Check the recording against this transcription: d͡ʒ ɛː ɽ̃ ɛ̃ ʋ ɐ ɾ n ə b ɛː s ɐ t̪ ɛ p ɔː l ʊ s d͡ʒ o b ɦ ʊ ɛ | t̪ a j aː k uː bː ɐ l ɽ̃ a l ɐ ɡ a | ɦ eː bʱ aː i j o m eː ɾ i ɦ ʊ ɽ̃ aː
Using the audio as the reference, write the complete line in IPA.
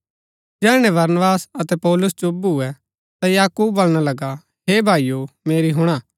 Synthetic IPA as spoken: d͡ʒ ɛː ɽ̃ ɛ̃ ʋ ɐ ɾ n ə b aː s ɐ t̪ ɛ p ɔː l ʊ s d͡ʒ o b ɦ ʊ ɛ | t̪ a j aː k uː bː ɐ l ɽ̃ a l ɐ ɡ a | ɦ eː bʱ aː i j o m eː ɾ i ɦ ʊ ɽ̃ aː